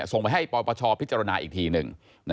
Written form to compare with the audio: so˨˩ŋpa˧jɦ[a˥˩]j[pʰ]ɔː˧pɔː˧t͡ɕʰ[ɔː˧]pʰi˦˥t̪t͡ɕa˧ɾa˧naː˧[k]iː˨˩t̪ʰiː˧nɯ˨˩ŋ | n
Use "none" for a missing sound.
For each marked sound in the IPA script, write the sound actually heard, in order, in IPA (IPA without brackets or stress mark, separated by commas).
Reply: a˥˩, p, ɔː˧, ʔ